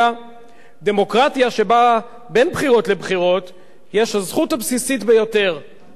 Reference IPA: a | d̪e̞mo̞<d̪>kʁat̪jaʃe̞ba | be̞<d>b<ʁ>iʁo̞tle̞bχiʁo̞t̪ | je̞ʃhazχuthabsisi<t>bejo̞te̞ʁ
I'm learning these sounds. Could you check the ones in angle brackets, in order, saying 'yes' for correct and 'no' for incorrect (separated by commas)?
no, no, no, yes